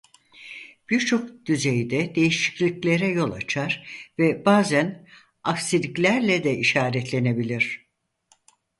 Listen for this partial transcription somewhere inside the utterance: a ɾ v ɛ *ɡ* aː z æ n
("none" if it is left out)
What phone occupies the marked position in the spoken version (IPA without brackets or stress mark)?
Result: b